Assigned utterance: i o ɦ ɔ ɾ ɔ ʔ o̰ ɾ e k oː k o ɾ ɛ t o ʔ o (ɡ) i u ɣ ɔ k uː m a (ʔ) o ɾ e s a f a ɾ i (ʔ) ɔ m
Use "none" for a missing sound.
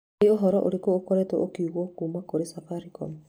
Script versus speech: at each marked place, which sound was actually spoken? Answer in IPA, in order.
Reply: k, k, k

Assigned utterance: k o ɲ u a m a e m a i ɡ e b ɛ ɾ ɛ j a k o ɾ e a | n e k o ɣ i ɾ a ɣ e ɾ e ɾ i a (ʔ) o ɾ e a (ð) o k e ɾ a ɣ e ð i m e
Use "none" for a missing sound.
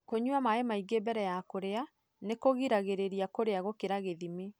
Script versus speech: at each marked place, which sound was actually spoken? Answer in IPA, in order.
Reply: k, ɣ

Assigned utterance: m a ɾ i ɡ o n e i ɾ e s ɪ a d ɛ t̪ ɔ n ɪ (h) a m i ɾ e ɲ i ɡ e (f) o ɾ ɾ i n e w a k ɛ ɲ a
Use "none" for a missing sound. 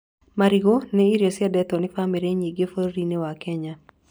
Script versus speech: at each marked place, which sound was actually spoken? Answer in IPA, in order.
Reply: f, f

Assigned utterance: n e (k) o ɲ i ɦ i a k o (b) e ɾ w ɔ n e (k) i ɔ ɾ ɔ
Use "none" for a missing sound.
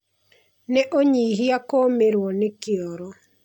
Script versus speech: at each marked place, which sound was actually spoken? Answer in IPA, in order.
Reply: ʔ, m, k

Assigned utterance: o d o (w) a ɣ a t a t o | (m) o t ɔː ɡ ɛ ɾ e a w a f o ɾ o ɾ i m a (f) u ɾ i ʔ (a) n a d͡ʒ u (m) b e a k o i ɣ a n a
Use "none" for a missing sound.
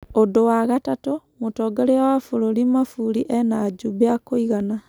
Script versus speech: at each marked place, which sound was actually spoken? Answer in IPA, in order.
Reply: w, m, f, ɛ, none

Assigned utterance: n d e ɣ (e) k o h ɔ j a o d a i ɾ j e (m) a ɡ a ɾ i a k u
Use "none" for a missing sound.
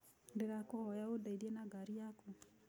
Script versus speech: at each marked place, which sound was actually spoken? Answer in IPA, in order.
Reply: a, n

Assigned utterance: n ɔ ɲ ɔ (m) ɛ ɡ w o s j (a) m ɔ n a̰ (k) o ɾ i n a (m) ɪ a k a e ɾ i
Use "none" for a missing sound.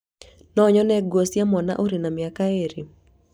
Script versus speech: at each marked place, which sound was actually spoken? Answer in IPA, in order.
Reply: n, a, ʔ, m

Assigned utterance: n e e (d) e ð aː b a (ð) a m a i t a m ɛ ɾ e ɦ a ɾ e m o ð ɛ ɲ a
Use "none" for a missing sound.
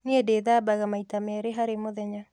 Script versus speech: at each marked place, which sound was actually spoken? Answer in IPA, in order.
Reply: d, ɣ

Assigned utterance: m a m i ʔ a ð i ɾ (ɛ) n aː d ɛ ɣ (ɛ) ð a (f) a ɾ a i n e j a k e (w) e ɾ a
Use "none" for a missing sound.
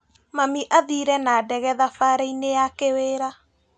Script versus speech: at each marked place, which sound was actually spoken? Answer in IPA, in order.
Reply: ɛ, ɛ, f, w

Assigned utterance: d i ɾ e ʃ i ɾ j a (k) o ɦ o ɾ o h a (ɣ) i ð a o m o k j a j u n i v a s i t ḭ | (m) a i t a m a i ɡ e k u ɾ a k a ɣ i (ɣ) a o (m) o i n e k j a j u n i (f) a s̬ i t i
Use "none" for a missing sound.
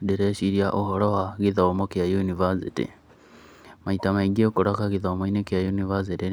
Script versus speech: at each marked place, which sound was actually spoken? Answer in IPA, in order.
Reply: ʔ, ɣ, m, ð, m, v

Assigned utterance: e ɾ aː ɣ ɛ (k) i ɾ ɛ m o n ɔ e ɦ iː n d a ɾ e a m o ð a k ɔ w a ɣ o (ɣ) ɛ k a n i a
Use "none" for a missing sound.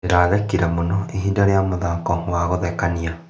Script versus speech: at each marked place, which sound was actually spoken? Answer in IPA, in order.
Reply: k, ð

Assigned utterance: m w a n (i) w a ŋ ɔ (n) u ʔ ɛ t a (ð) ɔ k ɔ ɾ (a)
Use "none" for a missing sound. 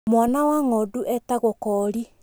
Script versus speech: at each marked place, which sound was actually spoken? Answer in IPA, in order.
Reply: a, d, ɣ, i

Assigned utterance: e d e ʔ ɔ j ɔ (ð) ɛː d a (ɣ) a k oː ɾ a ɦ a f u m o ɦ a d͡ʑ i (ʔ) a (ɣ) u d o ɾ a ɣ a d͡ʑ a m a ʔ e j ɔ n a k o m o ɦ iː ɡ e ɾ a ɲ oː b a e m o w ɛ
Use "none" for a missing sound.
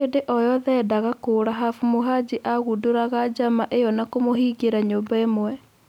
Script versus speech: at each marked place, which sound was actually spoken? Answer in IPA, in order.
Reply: ð, ɣ, ʔ, ɣ

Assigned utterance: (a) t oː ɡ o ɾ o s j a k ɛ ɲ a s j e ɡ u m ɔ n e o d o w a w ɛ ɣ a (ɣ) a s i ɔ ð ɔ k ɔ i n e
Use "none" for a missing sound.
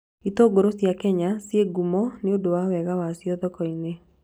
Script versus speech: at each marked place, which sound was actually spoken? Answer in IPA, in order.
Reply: i, w

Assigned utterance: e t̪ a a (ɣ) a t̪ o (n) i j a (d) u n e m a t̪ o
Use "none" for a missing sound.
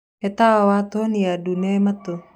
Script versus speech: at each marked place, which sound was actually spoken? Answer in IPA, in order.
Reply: w, n, d

